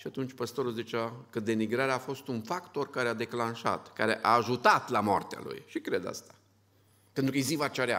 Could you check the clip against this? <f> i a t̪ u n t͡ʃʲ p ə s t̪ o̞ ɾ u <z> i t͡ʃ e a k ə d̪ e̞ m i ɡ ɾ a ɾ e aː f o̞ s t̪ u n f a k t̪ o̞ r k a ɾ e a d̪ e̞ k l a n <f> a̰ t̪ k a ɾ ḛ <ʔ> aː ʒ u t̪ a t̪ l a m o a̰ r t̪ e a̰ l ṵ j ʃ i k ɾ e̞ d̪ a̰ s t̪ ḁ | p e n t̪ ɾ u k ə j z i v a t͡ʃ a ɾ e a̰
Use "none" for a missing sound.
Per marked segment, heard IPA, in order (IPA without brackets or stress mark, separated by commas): ʃ, z, ʃ, ʔ